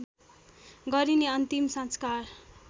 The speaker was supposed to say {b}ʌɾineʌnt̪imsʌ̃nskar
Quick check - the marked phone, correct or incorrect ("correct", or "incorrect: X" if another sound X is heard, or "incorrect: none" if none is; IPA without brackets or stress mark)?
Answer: incorrect: ɡ